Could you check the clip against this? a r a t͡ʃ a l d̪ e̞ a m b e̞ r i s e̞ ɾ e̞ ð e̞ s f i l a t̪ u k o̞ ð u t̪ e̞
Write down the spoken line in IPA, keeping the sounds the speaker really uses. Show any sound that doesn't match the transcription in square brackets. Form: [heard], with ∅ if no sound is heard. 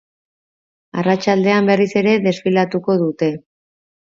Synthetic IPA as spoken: a r a t͡ʃ a l d̪ e̞ a m b e̞ r i s e̞ ɾ e̞ ð e̞ s f i l a t̪ u k o̞ ð u t̪ e̞

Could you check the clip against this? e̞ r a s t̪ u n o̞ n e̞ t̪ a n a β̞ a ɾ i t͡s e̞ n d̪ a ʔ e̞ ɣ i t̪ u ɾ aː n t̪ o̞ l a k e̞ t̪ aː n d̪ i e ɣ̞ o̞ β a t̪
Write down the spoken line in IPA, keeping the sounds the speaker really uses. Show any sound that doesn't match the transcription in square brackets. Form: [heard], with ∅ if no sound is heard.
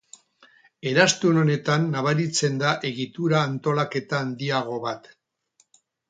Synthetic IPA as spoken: e̞ [ɾ] a s t̪ u n o̞ n e̞ t̪ a [nː] a β̞ a ɾ i t͡s e̞ n d̪ a ʔ e̞ ɣ i t̪ u ɾ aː n t̪ o̞ l a k e̞ t̪ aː n d̪ i [a] ɣ̞ o̞ β a t̪

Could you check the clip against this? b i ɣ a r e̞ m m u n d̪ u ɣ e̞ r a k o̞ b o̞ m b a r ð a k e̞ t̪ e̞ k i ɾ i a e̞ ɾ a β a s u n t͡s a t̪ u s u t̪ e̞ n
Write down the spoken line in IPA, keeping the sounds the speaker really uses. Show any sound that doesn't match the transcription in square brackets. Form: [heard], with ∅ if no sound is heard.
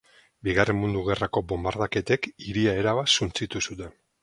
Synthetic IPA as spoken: b i ɣ a r e̞ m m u n d̪ u ɣ e̞ r a k o̞ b o̞ m b a [ɾ] ð a k e̞ t̪ e̞ k i ɾ i a e̞ ɾ a β a s u n t͡s [i] t̪ u s u t̪ e̞ n

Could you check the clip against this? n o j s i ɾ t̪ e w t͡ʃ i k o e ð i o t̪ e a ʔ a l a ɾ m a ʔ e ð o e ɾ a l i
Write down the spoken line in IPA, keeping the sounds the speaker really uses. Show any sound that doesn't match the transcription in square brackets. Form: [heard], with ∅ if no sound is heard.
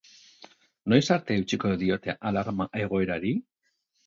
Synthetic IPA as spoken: n o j s [a] ɾ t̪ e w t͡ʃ i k o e ð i o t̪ e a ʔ a l a ɾ m a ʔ e [ɣ] o e ɾ a [ɾ] i

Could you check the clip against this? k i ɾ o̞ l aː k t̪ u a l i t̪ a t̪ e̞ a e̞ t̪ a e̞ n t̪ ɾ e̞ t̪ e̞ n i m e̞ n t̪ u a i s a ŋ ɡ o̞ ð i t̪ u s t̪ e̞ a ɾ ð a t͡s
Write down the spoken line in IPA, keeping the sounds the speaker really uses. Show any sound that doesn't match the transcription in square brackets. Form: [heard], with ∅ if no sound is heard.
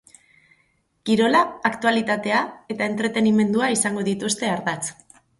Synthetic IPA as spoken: k i ɾ o̞ l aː k t̪ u a l i t̪ a t̪ e̞ a e̞ t̪ a e̞ n t̪ ɾ e̞ t̪ e̞ n i m e̞ n [d̪] u a i s a ŋ ɡ o̞ ð i t̪ u s t̪ e̞ a ɾ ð a t͡s

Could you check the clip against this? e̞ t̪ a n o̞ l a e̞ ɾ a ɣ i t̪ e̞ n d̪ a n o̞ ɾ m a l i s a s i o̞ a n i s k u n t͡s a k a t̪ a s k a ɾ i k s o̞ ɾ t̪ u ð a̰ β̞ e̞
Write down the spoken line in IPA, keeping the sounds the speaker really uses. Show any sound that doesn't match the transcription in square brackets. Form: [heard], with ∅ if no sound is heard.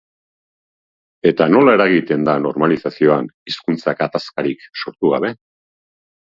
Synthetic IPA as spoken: e̞ t̪ a n o̞ l a e̞ ɾ a ɣ i t̪ e̞ n d̪ a n o̞ ɾ m a l i s a s i o̞ a n i s k u n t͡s a k a t̪ a s k a ɾ i k s o̞ ɾ t̪ u [ɣ] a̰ β̞ e̞

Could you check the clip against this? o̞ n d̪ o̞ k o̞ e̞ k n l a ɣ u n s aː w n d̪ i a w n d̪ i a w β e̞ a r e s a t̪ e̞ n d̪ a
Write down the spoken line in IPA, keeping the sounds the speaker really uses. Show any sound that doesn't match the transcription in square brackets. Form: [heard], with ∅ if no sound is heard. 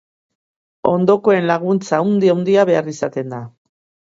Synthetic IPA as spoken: o̞ n d̪ o̞ k o̞ e̞ [∅] n l a ɣ u n [t͡s] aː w n d̪ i a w n d̪ i a [∅] β e̞ a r [i] s a t̪ e̞ n d̪ a

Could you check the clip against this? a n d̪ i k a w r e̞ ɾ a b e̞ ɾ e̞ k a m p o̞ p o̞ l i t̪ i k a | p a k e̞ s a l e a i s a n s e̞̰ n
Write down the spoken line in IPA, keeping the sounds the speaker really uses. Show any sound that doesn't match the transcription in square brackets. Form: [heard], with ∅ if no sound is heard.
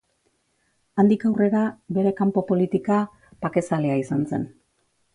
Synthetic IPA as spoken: a n d̪ i k a w r e̞ ɾ a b e̞ ɾ e̞ k a m p o̞ p o̞ l i t̪ i k a | p a k e̞ s a l e a i s a n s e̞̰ n

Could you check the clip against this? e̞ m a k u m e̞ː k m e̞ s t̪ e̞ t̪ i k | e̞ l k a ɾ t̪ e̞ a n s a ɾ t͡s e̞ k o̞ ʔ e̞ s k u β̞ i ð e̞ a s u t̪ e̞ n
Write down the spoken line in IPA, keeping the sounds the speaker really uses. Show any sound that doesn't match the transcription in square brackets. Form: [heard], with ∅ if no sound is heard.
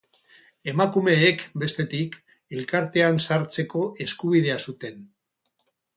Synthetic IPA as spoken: e̞ m a k u m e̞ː k [b] e̞ s t̪ e̞ t̪ i k | e̞ l k a ɾ t̪ e̞ a n s a ɾ t͡s e̞ k o̞ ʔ e̞ s k u β̞ i ð e̞ a s u t̪ e̞ n

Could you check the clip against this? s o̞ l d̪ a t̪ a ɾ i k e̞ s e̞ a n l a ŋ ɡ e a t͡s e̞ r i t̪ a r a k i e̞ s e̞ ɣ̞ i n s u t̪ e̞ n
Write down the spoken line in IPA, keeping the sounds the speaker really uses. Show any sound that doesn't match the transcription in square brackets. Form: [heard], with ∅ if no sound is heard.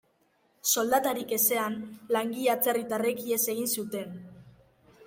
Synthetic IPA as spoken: s o̞ l d̪ a t̪ a ɾ i k e̞ s e̞ a n l a ŋ ɡ [i] a t͡s e̞ r i t̪ a r [e] k i e̞ s e̞ ɣ̞ i n s u t̪ e̞ n

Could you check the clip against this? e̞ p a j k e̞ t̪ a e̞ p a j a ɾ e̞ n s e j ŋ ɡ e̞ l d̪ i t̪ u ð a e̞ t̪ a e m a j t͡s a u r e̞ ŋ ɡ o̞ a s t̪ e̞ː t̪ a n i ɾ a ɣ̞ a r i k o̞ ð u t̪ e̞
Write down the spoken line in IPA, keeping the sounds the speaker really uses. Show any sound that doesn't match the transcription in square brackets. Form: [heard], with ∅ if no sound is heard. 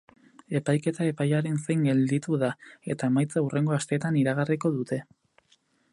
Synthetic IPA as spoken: e̞ p a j k e̞ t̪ a e̞ p a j a ɾ e̞ n s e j ŋ ɡ e̞ l d̪ i t̪ u ð a e̞ t̪ a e m a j t͡s a u r e̞ ŋ ɡ o̞ a s t̪ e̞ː t̪ a n i ɾ a ɣ̞ a r i k o̞ ð u t̪ e̞

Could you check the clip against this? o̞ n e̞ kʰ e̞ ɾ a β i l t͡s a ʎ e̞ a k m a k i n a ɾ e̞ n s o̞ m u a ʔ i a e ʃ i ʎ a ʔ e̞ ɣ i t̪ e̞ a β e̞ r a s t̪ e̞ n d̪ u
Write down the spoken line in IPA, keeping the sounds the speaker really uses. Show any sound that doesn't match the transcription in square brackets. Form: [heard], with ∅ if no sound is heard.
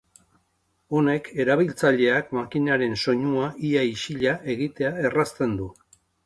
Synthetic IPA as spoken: o̞ n e̞ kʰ e̞ ɾ a β i l t͡s a ʎ e̞ a k m a k i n a ɾ e̞ n s o̞ [ɲ] u a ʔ i a [i] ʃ i ʎ a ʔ e̞ ɣ i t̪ e̞ a [∅] e̞ r a s t̪ e̞ n d̪ u

